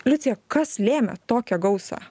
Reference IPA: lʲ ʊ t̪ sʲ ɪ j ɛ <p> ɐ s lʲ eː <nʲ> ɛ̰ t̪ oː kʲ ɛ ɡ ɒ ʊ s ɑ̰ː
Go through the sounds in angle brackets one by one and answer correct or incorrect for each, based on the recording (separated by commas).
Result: incorrect, incorrect